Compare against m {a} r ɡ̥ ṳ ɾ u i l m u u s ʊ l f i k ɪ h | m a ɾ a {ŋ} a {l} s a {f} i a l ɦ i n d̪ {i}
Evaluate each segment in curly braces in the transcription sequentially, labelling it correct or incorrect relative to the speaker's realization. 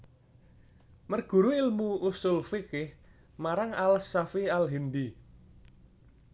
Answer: incorrect: ə, correct, correct, correct, correct

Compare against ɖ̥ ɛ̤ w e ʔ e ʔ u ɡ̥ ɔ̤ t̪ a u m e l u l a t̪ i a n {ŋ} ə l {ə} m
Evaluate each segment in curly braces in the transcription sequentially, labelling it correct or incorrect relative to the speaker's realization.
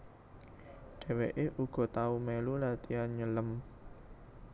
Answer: incorrect: ɲ, correct

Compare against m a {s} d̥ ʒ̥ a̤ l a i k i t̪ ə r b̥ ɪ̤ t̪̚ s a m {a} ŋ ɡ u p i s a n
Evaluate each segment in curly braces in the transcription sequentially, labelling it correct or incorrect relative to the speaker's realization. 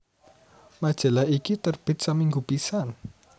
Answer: incorrect: none, incorrect: i

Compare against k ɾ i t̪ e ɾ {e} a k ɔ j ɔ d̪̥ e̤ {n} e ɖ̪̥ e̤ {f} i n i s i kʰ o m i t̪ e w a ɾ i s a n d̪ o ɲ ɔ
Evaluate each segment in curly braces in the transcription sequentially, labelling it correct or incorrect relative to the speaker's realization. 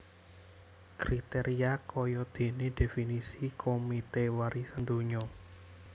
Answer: incorrect: i, correct, correct

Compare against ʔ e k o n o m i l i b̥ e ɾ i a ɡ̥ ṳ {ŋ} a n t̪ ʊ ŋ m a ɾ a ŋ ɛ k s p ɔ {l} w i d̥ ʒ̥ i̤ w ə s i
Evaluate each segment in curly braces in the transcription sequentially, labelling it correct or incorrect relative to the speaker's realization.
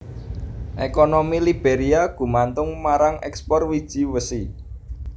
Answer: incorrect: m, incorrect: r

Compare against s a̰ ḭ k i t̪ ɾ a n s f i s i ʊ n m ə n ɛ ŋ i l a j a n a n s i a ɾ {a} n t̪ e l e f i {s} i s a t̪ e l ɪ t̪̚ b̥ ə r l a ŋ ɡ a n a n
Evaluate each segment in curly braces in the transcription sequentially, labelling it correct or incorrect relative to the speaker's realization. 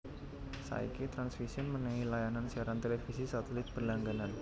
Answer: correct, correct

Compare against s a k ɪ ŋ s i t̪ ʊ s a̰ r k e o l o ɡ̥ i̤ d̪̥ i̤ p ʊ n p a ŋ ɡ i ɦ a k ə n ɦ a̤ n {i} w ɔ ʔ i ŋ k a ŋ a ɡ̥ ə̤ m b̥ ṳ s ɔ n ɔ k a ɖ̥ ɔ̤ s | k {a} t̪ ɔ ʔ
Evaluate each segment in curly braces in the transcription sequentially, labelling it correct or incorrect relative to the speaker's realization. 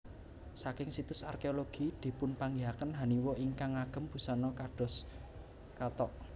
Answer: correct, correct

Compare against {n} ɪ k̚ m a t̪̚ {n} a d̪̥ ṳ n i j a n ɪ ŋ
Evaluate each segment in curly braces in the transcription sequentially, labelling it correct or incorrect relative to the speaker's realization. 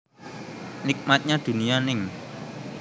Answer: correct, incorrect: ɲ

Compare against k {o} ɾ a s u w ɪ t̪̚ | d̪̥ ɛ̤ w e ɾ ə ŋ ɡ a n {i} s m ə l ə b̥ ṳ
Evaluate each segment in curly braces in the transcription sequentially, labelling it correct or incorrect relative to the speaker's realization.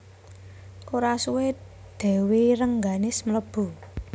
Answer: correct, incorrect: ɪ

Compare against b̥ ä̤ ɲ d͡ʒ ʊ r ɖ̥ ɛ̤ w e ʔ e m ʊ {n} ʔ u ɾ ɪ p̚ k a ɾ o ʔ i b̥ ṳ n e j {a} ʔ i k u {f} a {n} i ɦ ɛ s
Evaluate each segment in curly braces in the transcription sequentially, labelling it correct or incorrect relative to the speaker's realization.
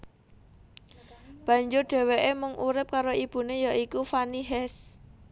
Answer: incorrect: ŋ, correct, correct, correct

